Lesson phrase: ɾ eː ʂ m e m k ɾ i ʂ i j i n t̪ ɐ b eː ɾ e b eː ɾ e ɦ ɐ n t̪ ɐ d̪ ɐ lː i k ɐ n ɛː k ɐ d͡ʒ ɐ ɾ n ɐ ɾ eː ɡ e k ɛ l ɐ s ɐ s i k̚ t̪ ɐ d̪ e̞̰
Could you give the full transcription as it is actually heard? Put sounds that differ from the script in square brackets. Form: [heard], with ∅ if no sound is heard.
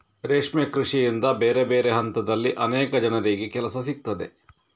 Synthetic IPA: ɾ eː ʂ m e [∅] k ɾ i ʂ i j i n [d̪] ɐ b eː ɾ e b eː ɾ e ɦ ɐ n t̪ ɐ d̪ ɐ lː i [ʔ] ɐ n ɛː k ɐ d͡ʒ ɐ [∅] n ɐ ɾ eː ɡ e k ɛ l ɐ s ɐ s i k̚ t̪ ɐ d̪ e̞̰